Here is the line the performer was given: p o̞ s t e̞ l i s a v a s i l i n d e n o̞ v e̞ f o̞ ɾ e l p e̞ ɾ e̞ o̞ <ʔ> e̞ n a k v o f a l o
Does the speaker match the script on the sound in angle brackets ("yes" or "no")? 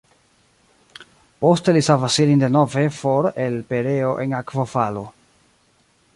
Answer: yes